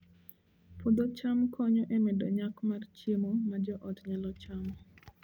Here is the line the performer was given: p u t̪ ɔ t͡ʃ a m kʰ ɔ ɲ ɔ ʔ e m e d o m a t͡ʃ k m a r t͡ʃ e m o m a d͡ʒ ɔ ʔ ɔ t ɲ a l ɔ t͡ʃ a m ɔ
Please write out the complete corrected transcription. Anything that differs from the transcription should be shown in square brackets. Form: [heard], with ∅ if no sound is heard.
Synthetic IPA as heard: p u [d̪] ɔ t͡ʃ a m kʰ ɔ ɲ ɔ ʔ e m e d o [ɲ] a [∅] k m a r t͡ʃ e m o m a d͡ʒ ɔ ʔ ɔ t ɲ a l ɔ t͡ʃ a m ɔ